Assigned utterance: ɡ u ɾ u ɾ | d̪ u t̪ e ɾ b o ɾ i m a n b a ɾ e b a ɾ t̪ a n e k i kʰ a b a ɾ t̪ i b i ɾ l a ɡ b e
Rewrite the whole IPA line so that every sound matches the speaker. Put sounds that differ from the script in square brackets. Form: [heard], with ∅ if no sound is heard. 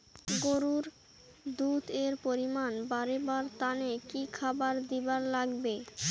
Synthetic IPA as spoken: ɡ [o] ɾ u ɾ | d̪ u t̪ e ɾ [p] o ɾ i m a n b a ɾ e b a ɾ t̪ a n e k i kʰ a b a ɾ [d̪] i b [a] ɾ l a ɡ b e